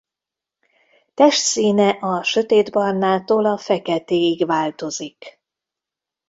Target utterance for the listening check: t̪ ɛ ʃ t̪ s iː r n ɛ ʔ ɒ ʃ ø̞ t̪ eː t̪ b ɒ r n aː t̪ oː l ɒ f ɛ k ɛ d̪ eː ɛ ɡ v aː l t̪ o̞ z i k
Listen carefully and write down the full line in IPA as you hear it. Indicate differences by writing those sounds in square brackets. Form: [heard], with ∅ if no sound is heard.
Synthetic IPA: t̪ ɛ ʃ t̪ s iː [∅] n ɛ ʔ ɒ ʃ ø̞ t̪ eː [d̪] b ɒ r n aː t̪ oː l ɒ f ɛ k ɛ [t̪] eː [i] ɡ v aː l t̪ o̞ z i k